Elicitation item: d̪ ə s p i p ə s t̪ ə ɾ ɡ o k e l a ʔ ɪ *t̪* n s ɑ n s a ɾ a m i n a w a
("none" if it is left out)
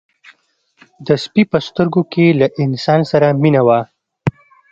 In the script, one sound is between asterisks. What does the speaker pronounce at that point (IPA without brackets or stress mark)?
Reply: none